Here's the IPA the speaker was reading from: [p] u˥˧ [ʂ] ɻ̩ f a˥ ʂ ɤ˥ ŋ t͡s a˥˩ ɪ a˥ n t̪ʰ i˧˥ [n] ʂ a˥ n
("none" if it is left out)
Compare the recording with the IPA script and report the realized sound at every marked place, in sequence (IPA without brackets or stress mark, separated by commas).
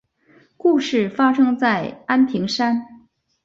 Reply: k, ʂ, ŋ